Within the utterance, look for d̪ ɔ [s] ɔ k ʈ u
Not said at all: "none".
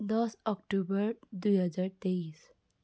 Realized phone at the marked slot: s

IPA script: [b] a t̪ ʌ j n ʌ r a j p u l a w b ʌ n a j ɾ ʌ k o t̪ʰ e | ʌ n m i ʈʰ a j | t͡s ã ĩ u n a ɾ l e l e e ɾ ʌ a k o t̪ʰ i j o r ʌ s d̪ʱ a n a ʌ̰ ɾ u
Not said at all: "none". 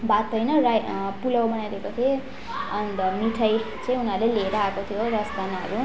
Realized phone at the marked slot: b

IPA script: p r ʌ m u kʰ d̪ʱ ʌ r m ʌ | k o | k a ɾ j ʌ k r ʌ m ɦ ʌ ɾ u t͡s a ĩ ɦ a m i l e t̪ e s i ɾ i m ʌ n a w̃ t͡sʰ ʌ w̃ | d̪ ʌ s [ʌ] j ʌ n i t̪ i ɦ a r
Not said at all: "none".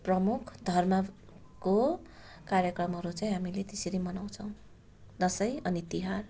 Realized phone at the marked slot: ʌ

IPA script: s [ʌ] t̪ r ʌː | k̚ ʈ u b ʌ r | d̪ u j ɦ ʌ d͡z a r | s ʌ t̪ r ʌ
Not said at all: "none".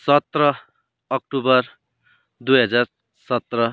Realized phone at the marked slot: ʌ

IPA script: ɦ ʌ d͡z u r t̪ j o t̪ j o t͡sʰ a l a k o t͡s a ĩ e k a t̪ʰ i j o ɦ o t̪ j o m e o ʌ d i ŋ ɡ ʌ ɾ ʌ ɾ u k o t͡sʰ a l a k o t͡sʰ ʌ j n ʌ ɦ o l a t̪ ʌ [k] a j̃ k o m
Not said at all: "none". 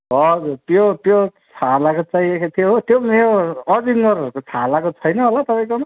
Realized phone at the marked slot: p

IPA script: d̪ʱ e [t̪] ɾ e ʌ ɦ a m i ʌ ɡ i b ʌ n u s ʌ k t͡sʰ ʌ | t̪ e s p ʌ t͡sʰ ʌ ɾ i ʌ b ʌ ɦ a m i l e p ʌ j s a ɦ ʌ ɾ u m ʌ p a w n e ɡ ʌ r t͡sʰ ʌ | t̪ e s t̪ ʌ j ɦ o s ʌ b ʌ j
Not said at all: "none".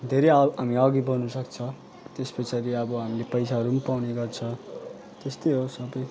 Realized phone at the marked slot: none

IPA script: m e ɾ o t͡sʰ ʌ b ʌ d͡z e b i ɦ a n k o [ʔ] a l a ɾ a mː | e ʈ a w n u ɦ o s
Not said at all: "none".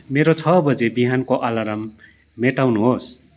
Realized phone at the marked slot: ʔ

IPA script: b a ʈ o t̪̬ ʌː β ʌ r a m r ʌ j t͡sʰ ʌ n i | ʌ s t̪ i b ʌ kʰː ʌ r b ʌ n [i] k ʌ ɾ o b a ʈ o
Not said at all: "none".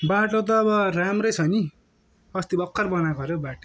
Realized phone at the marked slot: a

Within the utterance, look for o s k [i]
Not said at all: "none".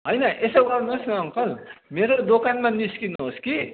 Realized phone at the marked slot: i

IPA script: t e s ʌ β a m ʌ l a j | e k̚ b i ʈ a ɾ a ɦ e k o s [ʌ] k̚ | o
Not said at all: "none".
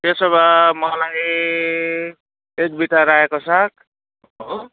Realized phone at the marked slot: a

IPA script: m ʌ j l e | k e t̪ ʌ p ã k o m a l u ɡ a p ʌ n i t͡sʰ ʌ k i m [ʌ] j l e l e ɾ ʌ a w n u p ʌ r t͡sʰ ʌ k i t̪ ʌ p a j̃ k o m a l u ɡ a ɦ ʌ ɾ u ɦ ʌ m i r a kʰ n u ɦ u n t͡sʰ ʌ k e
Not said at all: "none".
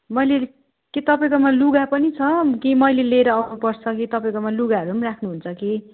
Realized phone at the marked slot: ʌ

